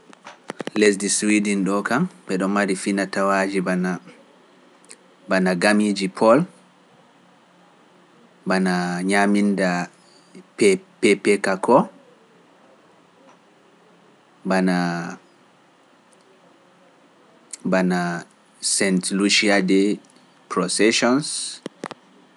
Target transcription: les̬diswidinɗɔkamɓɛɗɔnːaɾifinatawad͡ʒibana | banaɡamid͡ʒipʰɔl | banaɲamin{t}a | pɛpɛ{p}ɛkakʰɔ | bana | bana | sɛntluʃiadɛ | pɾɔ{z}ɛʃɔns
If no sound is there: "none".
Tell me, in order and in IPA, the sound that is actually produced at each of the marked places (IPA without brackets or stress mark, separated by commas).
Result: d, p, s